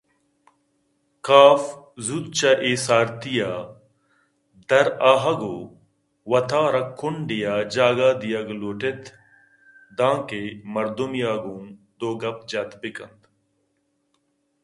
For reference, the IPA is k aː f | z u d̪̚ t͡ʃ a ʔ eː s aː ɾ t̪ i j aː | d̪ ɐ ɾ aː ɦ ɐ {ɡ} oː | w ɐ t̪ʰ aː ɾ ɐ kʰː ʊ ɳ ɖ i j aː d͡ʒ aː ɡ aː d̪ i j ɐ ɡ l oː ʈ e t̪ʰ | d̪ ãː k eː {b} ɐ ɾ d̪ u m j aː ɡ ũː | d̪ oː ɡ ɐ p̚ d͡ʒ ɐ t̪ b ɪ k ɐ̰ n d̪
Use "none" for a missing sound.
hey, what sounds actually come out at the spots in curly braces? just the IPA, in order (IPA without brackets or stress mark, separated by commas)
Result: ɡ, m